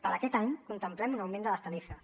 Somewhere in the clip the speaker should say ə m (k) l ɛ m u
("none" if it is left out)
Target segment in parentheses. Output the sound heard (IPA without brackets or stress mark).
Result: p